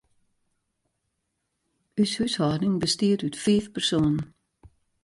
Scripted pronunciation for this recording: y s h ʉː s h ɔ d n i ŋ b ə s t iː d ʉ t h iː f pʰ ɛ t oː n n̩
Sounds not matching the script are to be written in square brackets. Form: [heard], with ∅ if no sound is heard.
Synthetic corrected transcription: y s h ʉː s h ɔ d n [ɪ] ŋ b ə s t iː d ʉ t [f] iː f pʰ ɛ [s] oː n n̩